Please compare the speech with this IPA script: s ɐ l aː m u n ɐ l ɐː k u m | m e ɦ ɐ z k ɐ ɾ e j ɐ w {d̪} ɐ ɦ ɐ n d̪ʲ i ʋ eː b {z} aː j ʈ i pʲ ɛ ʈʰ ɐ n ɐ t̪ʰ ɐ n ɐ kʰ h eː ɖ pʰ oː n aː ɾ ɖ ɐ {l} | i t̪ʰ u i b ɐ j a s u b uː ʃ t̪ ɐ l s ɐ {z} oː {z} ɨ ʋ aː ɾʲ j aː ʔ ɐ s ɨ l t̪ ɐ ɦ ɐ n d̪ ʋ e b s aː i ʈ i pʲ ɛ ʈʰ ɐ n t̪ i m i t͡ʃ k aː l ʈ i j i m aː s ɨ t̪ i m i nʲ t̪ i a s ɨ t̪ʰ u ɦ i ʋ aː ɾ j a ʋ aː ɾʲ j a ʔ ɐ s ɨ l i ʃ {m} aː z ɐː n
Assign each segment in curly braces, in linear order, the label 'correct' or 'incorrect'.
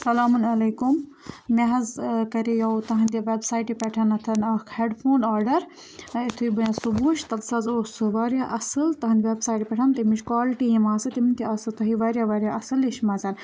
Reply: incorrect: t̪, incorrect: s, incorrect: ɾ, correct, incorrect: s, correct

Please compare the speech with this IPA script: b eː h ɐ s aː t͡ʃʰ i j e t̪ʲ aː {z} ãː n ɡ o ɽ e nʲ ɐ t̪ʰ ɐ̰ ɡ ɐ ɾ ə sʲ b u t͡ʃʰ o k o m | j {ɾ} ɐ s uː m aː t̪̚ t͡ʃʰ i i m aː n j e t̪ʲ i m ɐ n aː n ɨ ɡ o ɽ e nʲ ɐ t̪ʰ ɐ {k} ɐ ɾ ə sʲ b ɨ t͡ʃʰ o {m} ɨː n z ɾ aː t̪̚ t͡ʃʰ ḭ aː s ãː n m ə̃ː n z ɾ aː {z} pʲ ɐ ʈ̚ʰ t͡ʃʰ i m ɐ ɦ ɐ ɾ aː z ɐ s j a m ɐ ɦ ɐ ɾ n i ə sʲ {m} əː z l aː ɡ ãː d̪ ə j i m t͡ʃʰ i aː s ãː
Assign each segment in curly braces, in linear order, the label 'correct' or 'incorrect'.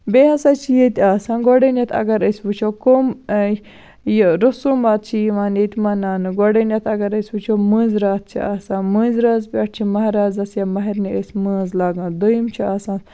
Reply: incorrect: s, correct, incorrect: ɡ, correct, correct, correct

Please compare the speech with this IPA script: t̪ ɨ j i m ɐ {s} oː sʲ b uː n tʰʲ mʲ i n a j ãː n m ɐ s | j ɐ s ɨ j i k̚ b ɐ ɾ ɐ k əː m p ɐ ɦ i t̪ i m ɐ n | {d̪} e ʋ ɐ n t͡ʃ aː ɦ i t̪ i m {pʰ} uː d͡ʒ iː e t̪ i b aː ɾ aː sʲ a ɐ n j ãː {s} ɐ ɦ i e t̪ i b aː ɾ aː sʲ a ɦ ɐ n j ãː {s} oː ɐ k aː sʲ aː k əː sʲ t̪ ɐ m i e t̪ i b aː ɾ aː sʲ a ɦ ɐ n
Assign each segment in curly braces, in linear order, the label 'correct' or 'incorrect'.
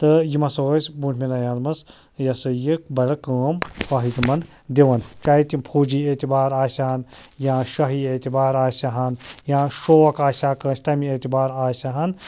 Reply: correct, correct, correct, incorrect: ʃ, incorrect: ʃ

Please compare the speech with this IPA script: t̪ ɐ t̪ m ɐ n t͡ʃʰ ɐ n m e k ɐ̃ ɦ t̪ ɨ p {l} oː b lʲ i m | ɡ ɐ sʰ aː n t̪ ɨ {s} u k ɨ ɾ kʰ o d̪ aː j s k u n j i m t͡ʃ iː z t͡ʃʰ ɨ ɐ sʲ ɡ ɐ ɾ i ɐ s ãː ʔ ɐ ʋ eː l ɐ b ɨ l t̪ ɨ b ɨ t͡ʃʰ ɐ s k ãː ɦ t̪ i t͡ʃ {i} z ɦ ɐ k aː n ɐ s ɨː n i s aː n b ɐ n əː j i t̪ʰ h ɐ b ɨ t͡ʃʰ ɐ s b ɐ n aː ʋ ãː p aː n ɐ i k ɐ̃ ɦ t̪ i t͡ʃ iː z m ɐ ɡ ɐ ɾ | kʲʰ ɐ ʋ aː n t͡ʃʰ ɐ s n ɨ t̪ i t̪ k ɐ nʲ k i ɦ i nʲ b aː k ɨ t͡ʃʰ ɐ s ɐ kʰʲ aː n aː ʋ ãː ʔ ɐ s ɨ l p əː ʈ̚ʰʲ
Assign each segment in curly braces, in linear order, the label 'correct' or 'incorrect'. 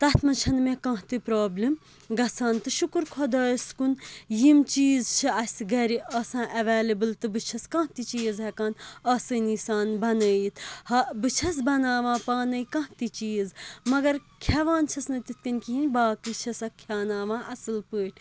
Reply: incorrect: ɾ, incorrect: ʃ, incorrect: iː

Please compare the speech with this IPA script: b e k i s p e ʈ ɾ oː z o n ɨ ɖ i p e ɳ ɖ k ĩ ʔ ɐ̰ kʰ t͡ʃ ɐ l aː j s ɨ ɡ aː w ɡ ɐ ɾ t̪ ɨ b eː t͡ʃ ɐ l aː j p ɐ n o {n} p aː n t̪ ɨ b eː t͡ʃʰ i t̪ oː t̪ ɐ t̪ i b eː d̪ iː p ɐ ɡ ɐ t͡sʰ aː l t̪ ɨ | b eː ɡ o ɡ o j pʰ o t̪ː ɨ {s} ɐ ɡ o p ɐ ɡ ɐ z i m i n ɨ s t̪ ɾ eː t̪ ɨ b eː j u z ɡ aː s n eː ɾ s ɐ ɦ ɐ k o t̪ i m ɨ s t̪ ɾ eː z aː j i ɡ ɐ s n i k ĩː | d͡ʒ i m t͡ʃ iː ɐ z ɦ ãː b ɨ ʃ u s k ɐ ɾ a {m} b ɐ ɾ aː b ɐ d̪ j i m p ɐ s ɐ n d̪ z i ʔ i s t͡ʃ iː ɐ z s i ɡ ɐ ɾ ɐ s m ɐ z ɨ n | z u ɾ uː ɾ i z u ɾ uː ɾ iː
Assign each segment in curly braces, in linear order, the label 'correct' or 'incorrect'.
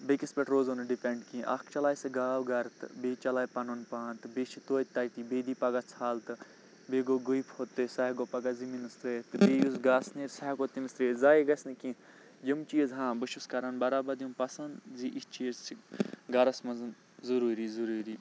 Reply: correct, correct, incorrect: n

